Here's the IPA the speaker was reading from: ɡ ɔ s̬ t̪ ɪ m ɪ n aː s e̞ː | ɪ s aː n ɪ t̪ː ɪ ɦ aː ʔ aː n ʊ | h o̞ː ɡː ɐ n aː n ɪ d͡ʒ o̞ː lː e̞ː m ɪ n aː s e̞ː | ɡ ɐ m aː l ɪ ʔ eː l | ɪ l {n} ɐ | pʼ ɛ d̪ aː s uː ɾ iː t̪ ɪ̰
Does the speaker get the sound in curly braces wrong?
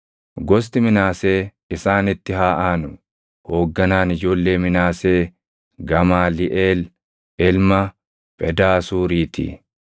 yes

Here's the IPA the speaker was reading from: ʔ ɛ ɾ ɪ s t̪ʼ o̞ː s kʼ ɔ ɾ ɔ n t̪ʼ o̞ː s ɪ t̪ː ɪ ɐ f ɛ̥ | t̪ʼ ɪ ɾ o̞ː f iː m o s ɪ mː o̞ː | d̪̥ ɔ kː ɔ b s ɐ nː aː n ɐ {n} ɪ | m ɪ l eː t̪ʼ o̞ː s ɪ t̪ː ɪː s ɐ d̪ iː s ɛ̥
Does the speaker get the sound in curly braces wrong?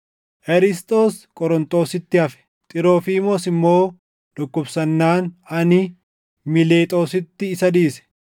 no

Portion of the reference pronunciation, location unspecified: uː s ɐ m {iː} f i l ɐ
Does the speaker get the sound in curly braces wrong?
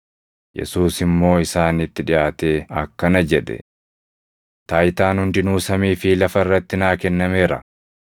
no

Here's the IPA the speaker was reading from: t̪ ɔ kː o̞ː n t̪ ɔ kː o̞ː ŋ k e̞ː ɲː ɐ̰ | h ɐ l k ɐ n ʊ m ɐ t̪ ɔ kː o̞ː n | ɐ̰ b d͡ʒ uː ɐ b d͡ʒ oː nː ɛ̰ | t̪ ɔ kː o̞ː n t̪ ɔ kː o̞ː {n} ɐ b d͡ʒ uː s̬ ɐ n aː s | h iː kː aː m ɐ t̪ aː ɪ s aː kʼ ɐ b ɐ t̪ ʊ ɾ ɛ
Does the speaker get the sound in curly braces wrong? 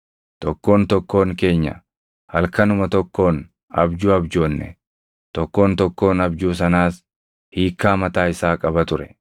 no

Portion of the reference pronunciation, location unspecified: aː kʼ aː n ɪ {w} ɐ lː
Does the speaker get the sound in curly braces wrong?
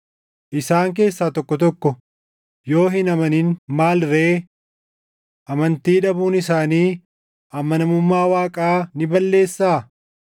yes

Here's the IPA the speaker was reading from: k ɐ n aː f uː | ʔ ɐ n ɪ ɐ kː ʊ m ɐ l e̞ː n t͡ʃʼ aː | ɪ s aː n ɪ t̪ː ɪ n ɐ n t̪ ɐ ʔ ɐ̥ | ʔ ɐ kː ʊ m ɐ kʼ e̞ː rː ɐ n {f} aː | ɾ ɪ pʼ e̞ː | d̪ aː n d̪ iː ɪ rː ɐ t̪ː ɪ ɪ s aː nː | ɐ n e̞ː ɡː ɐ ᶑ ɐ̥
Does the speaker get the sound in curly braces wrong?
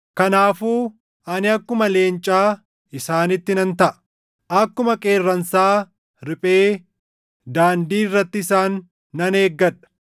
yes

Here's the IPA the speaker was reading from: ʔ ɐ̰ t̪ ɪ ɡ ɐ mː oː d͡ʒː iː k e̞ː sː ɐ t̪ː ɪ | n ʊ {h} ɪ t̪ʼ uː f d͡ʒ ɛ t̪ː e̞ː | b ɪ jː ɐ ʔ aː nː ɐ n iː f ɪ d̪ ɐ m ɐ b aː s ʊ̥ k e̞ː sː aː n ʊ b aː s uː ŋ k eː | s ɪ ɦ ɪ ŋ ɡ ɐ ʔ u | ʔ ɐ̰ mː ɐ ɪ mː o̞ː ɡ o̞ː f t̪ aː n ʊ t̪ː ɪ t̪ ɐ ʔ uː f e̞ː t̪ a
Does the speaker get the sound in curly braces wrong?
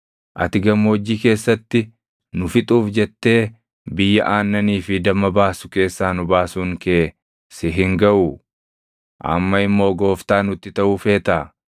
yes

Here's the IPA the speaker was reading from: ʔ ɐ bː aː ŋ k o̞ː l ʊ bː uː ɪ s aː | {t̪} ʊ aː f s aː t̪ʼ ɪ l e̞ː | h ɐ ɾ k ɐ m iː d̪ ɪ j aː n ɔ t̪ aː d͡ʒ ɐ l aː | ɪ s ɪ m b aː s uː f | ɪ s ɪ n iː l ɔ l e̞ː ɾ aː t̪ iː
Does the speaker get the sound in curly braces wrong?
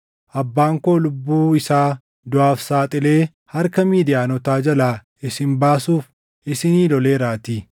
yes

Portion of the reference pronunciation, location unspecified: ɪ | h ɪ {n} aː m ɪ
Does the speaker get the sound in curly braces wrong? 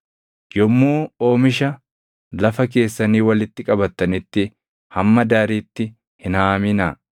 no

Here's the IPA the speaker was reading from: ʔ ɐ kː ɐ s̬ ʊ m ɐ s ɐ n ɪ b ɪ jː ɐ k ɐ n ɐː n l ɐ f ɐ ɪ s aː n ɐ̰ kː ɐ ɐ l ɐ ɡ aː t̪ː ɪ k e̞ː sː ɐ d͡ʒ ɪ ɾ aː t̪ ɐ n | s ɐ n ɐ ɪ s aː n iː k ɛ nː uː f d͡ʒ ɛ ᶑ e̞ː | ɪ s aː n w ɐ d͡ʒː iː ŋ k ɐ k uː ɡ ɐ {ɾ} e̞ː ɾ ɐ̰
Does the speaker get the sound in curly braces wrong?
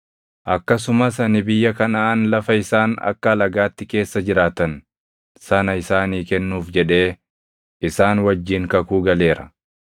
yes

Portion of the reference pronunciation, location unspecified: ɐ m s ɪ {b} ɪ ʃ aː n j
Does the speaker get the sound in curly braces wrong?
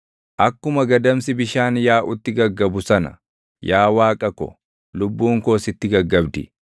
no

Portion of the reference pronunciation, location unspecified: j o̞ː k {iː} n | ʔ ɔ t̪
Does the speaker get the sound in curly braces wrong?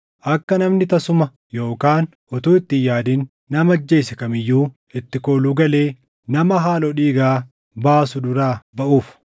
yes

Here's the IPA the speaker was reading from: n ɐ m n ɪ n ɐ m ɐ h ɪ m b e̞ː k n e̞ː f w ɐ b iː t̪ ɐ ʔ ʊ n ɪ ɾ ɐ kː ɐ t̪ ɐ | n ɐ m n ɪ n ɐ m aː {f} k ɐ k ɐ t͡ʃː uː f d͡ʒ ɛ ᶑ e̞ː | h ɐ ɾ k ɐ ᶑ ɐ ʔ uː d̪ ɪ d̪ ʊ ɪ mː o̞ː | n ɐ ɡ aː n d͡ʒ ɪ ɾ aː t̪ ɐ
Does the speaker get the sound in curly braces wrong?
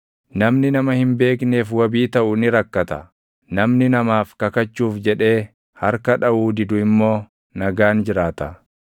no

